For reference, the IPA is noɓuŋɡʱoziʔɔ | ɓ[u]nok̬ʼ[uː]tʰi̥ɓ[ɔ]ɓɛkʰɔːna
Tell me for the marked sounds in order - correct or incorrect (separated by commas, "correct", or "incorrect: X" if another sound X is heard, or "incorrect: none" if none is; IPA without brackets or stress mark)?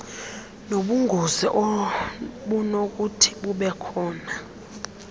correct, incorrect: u, incorrect: u